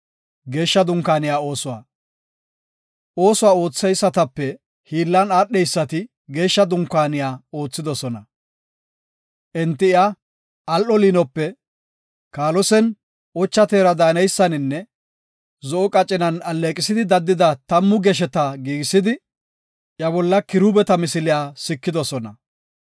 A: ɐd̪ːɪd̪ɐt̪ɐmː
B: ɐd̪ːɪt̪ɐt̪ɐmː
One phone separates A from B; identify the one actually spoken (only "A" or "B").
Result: A